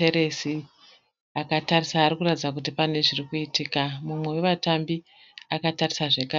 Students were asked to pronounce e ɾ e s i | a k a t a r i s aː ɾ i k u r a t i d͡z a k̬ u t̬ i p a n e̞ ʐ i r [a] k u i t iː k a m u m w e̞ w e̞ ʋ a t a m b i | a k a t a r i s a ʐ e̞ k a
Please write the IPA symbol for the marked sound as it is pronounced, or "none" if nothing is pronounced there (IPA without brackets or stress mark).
i